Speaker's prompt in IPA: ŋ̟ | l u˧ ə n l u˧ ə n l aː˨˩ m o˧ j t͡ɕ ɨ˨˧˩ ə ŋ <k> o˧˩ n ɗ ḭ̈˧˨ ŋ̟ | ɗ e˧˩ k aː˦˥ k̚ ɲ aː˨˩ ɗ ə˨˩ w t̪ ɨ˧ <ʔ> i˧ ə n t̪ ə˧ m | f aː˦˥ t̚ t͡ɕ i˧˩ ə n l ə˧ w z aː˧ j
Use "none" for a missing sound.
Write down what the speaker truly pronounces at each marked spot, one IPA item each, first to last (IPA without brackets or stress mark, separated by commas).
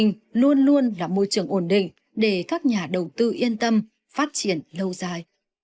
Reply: ʔ, ʔ